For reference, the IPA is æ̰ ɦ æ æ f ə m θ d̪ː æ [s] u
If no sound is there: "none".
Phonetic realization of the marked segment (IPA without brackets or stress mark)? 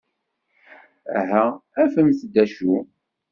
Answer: ʃ